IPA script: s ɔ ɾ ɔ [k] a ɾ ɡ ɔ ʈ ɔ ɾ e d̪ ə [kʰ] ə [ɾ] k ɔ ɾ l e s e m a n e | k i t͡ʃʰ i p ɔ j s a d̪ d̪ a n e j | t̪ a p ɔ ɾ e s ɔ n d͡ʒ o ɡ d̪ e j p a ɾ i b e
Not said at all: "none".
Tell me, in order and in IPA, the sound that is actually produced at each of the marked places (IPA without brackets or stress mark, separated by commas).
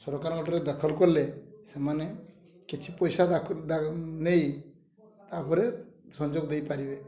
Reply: k, kʰ, l